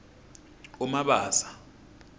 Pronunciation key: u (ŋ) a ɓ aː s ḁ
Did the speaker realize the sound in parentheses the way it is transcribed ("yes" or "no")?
no